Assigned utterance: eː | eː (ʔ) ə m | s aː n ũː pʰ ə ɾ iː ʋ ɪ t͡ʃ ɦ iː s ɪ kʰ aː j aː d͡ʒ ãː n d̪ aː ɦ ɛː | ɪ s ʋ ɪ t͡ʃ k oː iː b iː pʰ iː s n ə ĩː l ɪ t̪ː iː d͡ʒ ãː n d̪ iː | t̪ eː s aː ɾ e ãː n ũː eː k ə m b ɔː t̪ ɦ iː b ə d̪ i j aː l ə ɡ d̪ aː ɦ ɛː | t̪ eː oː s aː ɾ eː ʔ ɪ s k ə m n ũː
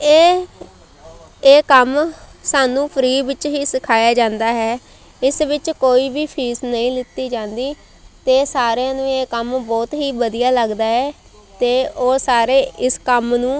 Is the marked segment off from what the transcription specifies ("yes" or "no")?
yes